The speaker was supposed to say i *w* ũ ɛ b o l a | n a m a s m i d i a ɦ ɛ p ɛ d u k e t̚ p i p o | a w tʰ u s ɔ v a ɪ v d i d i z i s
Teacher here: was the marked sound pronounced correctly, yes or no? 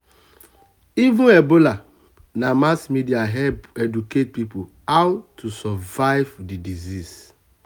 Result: no